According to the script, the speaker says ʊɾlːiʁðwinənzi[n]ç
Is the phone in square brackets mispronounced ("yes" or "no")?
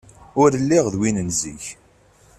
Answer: yes